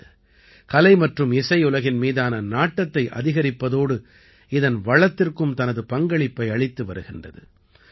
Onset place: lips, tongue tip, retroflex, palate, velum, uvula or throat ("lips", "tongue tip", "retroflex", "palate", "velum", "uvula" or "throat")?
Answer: velum